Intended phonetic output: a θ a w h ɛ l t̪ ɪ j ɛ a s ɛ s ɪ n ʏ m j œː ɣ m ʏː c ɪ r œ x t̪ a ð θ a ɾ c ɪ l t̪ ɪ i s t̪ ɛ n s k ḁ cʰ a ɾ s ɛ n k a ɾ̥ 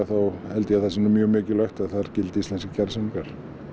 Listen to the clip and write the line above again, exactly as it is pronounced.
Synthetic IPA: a θ a w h ɛ l t̪ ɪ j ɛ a θ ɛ s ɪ n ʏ m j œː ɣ m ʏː c ɪ l œ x t̪ a ð θ a ɾ c ɪ l t̪ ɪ i s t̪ ɛ n s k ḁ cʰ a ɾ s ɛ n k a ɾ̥